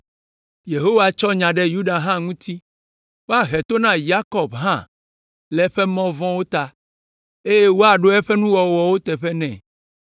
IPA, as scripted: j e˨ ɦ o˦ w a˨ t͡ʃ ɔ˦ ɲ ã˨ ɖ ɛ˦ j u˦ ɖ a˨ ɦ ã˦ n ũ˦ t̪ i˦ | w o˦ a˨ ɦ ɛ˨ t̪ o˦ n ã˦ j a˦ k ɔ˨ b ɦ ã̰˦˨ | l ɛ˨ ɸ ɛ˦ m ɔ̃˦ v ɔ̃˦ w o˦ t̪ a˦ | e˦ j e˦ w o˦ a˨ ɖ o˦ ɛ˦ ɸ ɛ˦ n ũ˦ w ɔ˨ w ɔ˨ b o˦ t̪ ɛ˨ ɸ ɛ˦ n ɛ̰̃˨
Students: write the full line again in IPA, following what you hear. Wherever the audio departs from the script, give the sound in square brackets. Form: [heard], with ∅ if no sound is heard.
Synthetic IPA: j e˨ ɦ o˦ w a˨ t͡ʃ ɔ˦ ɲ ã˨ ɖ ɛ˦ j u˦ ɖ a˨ ɦ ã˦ [ŋ] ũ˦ t̪ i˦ | w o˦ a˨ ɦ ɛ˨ t̪ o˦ n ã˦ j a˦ k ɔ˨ b ɦ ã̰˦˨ | l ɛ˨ ɸ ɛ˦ m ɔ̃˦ v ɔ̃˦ w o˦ t̪ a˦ | e˦ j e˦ w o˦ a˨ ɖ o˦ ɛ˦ ɸ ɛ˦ n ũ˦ w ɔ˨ w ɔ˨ [w] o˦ t̪ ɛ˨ ɸ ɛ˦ n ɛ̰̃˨